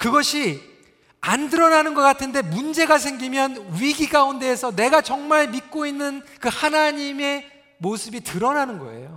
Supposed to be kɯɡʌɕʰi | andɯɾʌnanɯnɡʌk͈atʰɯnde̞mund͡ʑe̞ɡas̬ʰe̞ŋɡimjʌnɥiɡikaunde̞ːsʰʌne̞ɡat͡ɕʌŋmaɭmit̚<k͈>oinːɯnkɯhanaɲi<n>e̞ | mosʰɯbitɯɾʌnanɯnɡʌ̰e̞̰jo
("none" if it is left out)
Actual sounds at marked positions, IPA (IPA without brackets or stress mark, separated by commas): k͈, m